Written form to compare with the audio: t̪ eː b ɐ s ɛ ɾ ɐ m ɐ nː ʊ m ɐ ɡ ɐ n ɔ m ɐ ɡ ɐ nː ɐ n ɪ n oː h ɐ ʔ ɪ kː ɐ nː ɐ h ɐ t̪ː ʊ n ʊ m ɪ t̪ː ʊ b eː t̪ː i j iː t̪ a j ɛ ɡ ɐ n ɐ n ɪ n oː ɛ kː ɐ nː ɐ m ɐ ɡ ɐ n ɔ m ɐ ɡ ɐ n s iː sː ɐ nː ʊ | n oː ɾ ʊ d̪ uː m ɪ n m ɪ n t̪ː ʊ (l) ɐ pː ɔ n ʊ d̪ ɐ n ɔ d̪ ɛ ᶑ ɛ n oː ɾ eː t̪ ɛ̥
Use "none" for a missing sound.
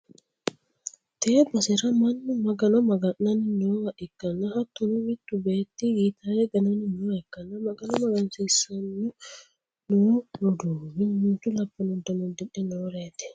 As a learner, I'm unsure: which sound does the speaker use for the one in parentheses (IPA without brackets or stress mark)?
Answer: l